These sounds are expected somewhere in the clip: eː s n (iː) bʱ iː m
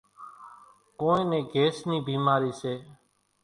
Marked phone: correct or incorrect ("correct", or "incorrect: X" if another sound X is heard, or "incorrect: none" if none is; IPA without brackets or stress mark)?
correct